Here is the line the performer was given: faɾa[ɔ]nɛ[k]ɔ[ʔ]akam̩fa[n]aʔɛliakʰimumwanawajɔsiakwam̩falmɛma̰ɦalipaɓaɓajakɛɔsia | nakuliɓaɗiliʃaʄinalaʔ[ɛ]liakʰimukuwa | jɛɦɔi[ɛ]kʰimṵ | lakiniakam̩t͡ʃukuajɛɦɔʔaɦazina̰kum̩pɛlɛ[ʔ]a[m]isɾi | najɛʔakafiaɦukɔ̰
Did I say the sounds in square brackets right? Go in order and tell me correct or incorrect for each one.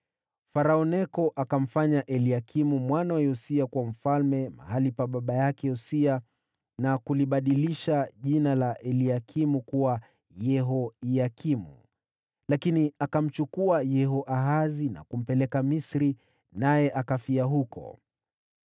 correct, correct, correct, incorrect: ɲ, correct, incorrect: a, incorrect: k, correct

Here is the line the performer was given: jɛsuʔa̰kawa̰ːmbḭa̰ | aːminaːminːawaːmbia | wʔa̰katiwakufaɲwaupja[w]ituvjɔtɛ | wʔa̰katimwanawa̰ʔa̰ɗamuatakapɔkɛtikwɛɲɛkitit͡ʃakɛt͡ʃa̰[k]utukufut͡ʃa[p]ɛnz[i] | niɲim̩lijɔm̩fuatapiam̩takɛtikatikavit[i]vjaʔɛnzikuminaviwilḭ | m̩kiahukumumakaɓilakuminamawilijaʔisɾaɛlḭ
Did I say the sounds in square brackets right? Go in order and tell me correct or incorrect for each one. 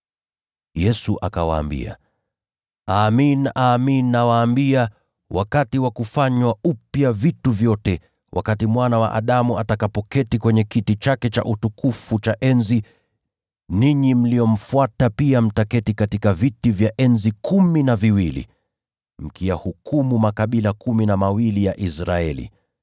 incorrect: v, incorrect: ʔ, incorrect: ʔ, correct, correct

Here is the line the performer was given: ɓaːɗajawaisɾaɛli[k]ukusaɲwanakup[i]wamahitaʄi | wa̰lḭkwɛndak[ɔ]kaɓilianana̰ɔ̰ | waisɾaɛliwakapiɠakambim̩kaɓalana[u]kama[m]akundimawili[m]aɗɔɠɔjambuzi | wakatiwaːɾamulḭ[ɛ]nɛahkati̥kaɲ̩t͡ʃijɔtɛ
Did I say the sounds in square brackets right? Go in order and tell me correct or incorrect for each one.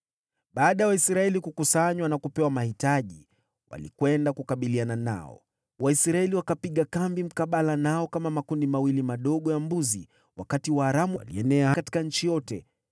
correct, incorrect: ɛ, incorrect: u, incorrect: ɔ, correct, correct, correct

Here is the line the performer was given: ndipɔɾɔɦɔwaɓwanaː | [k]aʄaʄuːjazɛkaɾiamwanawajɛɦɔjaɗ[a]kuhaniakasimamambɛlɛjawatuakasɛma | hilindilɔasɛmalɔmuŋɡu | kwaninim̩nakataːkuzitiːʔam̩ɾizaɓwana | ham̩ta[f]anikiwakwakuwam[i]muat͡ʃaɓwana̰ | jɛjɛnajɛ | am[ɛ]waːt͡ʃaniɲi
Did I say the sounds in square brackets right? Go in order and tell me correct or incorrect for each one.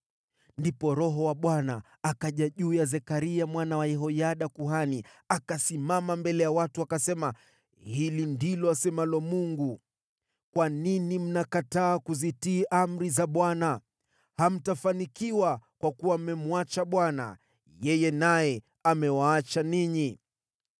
correct, correct, correct, incorrect: ɛ, correct

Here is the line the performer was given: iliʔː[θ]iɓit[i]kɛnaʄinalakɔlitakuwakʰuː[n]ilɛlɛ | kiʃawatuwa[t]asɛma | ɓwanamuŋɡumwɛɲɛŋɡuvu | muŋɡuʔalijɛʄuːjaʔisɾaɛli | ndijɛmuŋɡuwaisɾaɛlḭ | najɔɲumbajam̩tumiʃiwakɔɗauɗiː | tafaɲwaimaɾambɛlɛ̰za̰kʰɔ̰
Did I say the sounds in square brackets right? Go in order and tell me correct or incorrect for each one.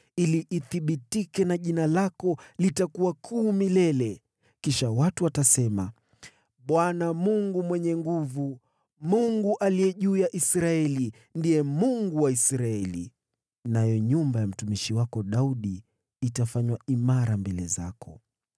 correct, correct, incorrect: m, correct

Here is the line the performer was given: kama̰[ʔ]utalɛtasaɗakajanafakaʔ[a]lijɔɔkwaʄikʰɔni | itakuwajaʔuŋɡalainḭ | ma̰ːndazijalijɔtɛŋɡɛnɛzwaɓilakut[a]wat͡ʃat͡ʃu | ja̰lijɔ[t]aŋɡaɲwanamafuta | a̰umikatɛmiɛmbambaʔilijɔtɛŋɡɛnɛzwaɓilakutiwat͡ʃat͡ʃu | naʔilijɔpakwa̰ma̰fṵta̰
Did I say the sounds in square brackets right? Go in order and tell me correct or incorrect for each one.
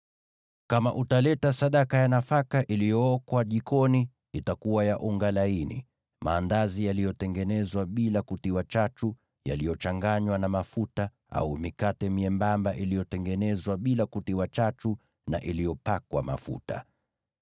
correct, incorrect: i, incorrect: i, incorrect: t͡ʃ

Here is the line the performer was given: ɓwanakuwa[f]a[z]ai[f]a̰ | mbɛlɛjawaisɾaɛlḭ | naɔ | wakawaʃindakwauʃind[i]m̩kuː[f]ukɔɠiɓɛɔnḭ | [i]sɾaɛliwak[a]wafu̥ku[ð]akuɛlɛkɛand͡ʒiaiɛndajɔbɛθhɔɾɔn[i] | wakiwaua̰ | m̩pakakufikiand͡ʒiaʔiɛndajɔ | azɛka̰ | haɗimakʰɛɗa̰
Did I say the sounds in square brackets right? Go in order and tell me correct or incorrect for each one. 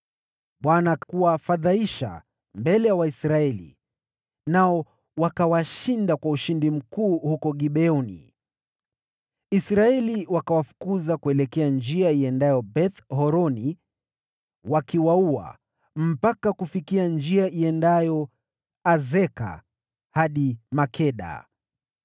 correct, incorrect: ð, incorrect: ʃ, correct, incorrect: h, correct, correct, incorrect: z, correct

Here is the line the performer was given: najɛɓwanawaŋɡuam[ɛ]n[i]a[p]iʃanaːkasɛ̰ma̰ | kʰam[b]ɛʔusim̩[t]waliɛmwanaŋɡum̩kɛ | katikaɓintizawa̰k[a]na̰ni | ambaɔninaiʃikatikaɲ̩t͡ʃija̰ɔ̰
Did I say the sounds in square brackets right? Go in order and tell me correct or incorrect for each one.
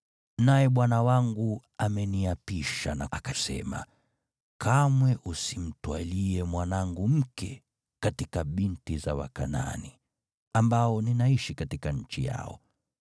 correct, correct, correct, incorrect: w, correct, correct

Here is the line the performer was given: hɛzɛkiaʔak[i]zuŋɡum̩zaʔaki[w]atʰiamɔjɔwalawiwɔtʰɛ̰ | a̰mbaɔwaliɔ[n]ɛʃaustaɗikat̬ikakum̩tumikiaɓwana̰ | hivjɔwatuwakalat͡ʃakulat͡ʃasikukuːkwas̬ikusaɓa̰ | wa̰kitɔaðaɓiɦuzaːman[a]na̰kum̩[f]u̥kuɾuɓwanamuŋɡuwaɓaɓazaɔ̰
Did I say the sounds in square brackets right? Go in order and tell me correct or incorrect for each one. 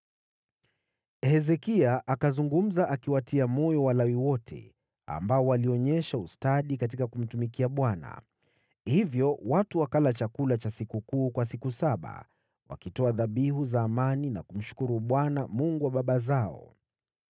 incorrect: a, correct, incorrect: ɲ, incorrect: i, incorrect: ʃ

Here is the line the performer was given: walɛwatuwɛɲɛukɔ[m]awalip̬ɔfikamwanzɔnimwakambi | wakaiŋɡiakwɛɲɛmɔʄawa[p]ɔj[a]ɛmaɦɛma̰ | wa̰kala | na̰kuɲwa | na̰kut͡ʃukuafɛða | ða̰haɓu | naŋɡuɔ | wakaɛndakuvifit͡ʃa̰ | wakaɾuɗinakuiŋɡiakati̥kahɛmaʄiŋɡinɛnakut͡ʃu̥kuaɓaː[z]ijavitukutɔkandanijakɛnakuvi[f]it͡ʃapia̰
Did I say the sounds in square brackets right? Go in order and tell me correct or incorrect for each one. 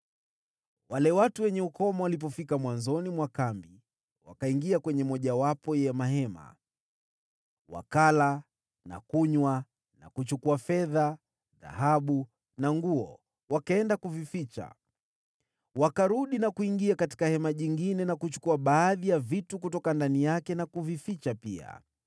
correct, correct, incorrect: ɛ, incorrect: ð, correct

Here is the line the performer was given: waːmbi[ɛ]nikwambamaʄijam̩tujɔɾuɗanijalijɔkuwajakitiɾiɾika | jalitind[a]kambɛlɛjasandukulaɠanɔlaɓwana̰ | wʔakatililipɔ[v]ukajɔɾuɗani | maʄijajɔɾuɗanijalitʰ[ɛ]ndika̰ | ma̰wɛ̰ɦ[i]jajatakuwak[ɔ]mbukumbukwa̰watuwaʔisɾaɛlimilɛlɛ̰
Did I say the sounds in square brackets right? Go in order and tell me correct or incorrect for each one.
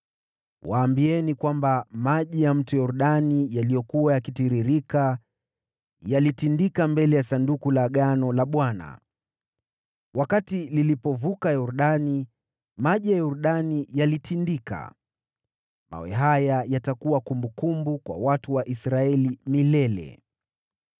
correct, incorrect: i, correct, incorrect: i, incorrect: a, incorrect: u

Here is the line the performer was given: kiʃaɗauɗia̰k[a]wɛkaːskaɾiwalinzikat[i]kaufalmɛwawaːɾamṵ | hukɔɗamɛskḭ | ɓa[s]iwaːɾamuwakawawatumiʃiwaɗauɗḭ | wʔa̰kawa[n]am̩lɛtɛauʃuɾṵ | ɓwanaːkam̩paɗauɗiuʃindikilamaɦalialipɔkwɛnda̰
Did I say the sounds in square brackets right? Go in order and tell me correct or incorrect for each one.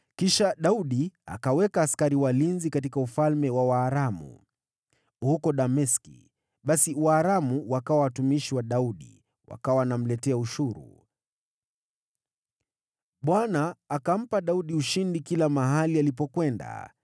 correct, correct, correct, correct

